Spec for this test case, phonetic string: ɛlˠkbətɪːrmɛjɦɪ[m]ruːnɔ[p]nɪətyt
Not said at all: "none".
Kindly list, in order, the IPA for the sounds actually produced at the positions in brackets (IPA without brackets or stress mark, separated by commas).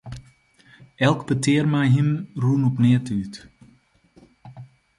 m, p